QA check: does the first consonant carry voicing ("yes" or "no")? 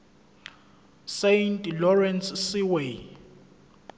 no